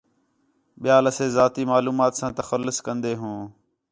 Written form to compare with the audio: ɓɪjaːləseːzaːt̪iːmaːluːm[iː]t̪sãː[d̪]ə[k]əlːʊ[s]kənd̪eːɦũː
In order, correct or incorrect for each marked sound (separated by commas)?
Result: incorrect, incorrect, incorrect, correct